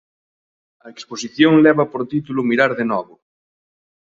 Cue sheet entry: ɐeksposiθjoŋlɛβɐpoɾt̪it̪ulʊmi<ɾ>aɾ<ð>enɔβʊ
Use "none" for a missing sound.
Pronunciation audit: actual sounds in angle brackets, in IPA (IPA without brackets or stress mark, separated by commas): ɾ, ð